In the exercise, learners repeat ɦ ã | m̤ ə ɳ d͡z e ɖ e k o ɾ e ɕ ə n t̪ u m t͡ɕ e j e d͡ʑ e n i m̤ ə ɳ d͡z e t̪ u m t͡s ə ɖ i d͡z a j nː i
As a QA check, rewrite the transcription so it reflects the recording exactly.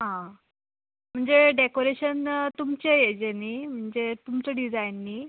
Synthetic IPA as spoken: ɦ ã | m̤ ə ɳ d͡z e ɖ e k o ɾ e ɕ ə n t̪ u m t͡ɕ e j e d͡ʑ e n i m̤ ə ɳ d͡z e t̪ u m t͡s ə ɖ i d͡z a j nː i